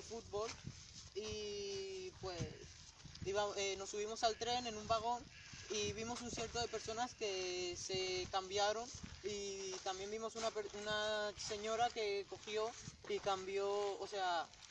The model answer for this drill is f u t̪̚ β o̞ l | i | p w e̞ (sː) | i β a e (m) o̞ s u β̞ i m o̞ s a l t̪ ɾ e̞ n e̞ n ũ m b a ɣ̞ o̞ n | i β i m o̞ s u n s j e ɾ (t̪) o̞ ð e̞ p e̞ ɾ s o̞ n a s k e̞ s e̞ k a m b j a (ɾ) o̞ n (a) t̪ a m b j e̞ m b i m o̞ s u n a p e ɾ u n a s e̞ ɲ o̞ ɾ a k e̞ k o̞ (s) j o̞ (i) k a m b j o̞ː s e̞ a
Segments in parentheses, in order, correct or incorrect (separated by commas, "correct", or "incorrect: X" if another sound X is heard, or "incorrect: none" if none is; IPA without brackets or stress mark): incorrect: s, incorrect: n, correct, correct, incorrect: i, incorrect: x, correct